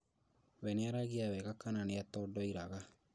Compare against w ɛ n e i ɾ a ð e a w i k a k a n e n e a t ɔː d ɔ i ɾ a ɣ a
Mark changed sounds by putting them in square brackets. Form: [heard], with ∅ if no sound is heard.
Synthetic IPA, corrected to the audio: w ɛ n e [a] ɾ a [ɣ] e a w [ɛ] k a k a n [a] n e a t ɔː d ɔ i ɾ a ɣ a